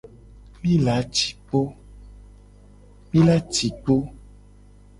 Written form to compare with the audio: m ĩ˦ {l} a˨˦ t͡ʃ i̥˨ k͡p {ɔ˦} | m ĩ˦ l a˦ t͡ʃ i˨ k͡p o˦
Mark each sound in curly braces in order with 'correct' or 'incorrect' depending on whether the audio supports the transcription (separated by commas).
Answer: correct, incorrect